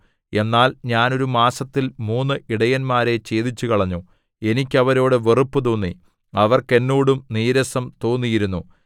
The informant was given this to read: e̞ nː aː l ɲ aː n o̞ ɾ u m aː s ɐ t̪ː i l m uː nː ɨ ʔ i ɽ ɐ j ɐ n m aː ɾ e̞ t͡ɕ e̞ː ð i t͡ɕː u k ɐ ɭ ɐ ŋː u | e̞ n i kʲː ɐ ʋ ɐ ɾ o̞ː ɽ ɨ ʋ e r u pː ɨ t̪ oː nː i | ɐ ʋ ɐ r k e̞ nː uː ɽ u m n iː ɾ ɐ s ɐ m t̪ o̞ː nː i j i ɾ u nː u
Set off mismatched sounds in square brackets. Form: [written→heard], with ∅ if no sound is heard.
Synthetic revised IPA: e̞ nː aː l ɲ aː n o̞ ɾ u m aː s ɐ t̪ː i l m uː nː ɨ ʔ i ɽ ɐ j ɐ n m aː ɾ e̞ t͡ɕ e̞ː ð i t͡ɕː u k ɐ ɭ ɐ [ŋː→ɲː] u | e̞ n i kʲː ɐ ʋ ɐ ɾ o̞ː ɽ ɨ ʋ e r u pː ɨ t̪ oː nː i | ɐ ʋ ɐ r k e̞ nː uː ɽ u m n iː ɾ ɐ s ɐ m t̪ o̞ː nː i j i ɾ u nː u